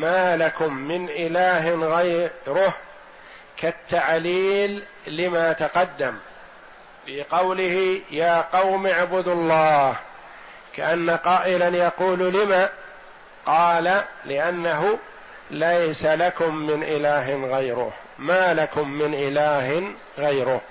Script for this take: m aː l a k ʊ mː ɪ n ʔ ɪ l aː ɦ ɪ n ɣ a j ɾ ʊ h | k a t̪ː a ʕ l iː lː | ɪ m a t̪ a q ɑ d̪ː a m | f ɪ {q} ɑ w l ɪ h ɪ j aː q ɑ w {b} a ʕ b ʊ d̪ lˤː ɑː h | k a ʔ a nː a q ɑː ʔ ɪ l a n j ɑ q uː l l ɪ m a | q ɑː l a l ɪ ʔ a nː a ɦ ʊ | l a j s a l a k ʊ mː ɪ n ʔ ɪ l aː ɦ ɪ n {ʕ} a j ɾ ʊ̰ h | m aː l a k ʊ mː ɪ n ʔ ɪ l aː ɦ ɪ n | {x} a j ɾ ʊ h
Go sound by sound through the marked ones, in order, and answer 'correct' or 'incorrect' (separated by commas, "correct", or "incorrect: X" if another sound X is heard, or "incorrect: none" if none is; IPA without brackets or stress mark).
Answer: correct, incorrect: m, incorrect: ɣ, incorrect: ɣ